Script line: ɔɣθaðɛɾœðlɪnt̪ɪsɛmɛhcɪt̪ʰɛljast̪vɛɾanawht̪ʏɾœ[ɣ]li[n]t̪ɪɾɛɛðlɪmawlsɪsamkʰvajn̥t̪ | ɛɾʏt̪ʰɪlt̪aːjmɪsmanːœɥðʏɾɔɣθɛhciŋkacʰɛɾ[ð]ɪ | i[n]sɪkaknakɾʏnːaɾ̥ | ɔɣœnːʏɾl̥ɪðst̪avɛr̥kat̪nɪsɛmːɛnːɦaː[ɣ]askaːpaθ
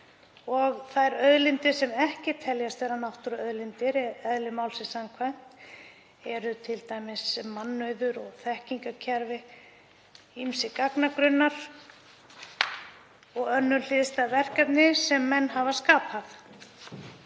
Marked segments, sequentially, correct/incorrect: incorrect, correct, incorrect, incorrect, incorrect

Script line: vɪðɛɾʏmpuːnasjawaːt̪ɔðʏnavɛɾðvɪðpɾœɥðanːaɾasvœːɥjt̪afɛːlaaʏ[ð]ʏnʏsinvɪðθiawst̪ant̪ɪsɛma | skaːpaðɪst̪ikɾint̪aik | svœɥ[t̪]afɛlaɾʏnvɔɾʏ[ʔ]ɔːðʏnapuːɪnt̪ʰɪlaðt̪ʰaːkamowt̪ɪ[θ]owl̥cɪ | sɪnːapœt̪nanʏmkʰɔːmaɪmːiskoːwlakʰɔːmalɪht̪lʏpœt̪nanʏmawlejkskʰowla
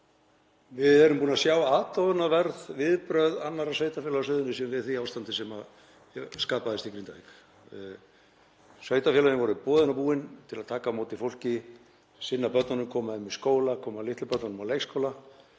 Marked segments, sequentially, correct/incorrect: correct, correct, incorrect, incorrect

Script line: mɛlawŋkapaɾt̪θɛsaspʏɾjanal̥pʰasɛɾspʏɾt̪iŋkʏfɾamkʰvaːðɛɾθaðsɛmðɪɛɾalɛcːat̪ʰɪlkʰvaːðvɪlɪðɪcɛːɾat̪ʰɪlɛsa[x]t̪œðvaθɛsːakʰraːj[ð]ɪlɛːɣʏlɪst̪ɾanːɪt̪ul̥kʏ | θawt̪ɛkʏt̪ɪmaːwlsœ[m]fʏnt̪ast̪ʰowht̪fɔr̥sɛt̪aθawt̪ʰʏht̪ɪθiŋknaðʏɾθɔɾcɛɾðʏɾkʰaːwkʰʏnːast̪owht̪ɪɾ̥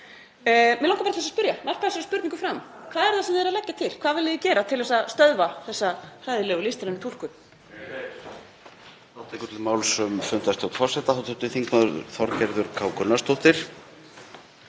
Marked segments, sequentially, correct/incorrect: incorrect, correct, correct

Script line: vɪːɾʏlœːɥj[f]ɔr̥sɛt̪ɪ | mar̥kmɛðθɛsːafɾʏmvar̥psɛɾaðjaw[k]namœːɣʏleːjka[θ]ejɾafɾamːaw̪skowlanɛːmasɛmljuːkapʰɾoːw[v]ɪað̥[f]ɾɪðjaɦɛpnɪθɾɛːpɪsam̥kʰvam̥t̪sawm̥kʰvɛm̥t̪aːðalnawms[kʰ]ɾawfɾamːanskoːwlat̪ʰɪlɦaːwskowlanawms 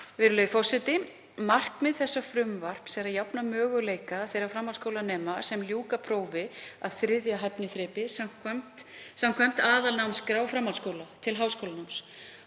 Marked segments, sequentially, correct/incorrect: correct, incorrect, correct, correct, incorrect, incorrect

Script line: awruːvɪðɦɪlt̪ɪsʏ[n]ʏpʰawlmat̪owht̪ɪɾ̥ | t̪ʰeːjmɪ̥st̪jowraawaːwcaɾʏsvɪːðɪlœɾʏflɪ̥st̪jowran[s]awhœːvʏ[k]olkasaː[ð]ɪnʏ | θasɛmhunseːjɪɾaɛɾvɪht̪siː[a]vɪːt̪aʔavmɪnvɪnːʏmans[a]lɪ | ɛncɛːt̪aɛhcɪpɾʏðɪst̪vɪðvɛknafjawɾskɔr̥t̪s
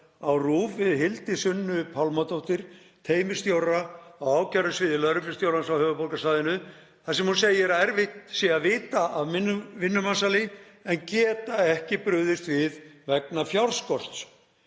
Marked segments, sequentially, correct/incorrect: incorrect, correct, incorrect, correct, correct, correct

